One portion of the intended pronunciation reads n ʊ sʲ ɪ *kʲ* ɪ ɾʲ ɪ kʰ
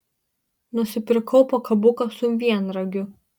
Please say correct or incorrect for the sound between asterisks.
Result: incorrect